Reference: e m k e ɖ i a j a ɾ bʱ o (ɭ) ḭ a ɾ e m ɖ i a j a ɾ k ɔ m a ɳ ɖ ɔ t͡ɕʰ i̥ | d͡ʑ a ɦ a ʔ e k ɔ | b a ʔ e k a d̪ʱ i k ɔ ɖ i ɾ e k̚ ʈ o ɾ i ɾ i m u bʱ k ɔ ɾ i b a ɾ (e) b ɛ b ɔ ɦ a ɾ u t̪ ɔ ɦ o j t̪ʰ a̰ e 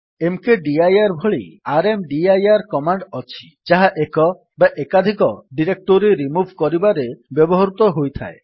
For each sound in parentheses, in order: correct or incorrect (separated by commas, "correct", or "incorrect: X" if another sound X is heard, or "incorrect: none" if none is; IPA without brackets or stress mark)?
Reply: correct, correct